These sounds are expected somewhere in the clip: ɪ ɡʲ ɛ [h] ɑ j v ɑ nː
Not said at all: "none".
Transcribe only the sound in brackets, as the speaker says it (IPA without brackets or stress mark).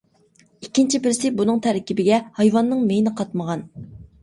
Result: h